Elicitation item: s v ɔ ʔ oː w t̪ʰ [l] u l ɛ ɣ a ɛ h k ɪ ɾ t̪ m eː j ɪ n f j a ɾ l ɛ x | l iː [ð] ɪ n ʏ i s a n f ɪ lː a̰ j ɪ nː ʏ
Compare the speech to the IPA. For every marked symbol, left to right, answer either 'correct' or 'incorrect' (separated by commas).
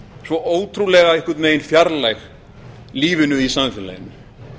incorrect, incorrect